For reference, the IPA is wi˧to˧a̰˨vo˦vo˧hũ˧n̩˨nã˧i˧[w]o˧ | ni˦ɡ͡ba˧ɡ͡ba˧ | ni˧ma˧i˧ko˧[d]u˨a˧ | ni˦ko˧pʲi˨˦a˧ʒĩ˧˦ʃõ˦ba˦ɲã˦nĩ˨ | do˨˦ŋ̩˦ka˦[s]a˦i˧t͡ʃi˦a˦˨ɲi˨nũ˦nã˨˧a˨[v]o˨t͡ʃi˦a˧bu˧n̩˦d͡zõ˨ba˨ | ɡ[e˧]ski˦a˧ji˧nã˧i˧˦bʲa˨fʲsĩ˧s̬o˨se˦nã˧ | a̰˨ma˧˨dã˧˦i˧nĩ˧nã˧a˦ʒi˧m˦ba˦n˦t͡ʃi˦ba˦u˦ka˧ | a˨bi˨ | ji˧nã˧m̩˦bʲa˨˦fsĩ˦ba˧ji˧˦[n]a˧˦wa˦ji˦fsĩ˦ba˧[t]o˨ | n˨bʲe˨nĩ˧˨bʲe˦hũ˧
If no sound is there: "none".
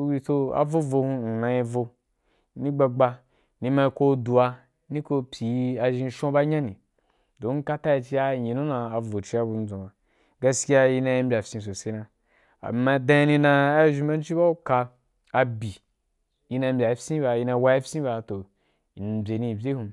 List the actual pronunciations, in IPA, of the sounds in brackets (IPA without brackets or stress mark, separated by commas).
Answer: v, d, t, v, a˧, n, t